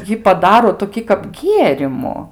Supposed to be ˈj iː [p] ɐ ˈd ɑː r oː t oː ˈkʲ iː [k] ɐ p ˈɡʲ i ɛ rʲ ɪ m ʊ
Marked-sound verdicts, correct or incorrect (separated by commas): correct, correct